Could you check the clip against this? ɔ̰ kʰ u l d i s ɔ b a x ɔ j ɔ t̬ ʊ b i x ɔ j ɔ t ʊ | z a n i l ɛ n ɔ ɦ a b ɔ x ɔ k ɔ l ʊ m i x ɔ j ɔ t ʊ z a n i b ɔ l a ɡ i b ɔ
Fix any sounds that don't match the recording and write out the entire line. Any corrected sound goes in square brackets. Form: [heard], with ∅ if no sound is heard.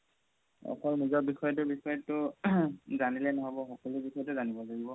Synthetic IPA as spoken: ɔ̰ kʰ [ɔ] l [n] i [z] ɔ b [i] x ɔ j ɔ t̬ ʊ b i x ɔ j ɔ t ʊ | z a n i l ɛ n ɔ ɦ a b ɔ x ɔ k ɔ l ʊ [b] i x ɔ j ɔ t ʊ z a n i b ɔ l a ɡ i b ɔ

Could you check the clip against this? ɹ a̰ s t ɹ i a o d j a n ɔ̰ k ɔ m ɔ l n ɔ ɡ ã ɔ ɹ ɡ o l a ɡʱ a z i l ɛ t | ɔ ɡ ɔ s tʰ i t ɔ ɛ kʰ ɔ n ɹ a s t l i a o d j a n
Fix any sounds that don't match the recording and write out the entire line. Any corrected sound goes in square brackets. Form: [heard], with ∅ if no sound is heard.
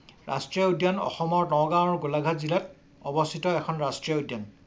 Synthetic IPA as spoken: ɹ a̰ s t ɹ i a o d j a n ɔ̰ [x] ɔ m ɔ [ɹ] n ɔ ɡ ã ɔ ɹ ɡ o l a ɡʱ a z i l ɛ t | ɔ [b] ɔ s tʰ i t ɔ ɛ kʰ ɔ n ɹ a s t [ɹ] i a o d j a n

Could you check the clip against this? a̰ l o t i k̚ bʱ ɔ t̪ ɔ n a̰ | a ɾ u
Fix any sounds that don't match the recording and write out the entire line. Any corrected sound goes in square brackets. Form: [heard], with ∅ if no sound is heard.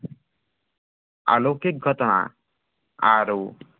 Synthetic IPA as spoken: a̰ l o [k] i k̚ [ɡʱ] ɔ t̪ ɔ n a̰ | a ɾ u

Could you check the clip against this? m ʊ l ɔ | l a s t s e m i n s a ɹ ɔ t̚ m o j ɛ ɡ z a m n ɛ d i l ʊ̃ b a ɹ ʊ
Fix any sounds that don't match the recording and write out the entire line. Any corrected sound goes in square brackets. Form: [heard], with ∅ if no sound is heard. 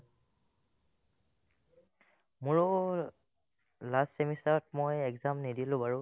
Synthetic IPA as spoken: m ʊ [ɹ] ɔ | l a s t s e m i [∅] s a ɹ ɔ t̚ m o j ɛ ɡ z a m n [i] d i l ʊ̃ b a ɹ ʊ

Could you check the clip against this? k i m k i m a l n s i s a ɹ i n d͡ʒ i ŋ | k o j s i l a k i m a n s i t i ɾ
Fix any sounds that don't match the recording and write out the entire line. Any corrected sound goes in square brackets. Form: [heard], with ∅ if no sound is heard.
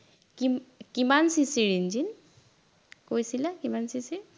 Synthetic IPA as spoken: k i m k i m a [∅] n s i s [i] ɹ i n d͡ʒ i [n] | k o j s i l a k i m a n s i [s] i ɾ

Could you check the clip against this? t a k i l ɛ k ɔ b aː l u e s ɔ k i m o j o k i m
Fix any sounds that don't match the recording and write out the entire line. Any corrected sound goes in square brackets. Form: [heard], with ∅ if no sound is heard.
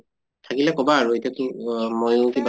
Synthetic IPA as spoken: [tʰ] a k i l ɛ k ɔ b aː [ɹ] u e [t] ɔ k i m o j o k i [b]

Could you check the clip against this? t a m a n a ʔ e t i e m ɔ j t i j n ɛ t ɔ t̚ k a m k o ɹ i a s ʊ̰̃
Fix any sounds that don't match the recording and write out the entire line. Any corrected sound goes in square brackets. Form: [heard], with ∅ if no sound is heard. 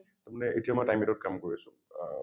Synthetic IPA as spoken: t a m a n [ɛ] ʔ e t i [a] m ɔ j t [a] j [m] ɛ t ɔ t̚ k a m k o ɹ i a s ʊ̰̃

